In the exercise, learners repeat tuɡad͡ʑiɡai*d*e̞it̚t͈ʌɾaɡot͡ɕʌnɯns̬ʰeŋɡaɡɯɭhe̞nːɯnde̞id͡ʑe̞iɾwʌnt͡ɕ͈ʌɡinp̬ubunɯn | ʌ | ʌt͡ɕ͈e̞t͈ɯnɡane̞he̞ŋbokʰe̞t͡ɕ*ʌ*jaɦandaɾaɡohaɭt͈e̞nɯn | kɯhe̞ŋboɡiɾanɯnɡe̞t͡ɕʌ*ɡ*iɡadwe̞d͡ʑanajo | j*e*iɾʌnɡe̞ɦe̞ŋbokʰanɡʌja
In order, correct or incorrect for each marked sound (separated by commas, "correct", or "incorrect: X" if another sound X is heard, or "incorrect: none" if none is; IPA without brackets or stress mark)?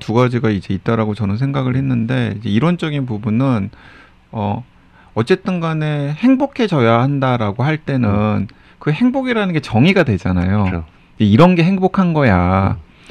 incorrect: d͡ʑ, correct, incorrect: ŋ, correct